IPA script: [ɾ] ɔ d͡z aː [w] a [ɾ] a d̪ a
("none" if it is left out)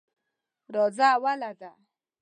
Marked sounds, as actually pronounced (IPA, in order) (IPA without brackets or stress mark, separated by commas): ɾ, w, l